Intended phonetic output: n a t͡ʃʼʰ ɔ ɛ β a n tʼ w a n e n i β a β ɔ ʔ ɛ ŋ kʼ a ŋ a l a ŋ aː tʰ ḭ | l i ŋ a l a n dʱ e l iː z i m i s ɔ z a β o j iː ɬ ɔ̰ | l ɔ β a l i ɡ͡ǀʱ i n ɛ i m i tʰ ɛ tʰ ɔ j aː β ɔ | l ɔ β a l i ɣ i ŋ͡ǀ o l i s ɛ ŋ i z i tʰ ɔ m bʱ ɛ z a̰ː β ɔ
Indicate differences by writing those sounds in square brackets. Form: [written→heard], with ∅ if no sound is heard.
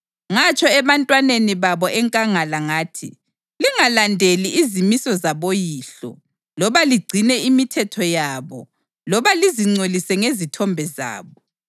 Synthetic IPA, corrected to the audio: [n→ŋ] a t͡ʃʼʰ ɔ ɛ β a n tʼ w a n e n i β a β ɔ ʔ ɛ ŋ kʼ a ŋ a l a ŋ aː tʰ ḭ | l i ŋ a l a n dʱ e l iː z i m i s ɔ z a β o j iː ɬ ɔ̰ | l ɔ β a l i ɡ͡ǀʱ i n ɛ i m i tʰ ɛ tʰ ɔ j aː β ɔ | l ɔ β a l i [ɣ→z] i ŋ͡ǀ o l i s ɛ ŋ [i→e] z i tʰ ɔ m bʱ ɛ z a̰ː β ɔ